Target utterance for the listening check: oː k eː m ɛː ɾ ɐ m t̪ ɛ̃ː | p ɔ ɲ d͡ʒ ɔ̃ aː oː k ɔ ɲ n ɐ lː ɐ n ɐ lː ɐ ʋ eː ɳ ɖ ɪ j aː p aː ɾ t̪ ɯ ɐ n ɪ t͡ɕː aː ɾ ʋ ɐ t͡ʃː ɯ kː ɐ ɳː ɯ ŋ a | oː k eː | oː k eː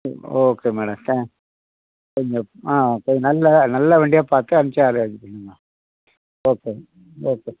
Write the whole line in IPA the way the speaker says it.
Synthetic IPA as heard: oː k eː m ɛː ɽ ɐ m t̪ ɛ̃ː | k ɔ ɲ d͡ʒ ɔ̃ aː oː k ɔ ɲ n ɐ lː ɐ n ɐ lː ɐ ʋ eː ɳ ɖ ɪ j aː p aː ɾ t̪ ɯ ɐ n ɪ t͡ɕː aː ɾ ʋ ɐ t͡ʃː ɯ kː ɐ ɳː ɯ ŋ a | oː k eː | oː k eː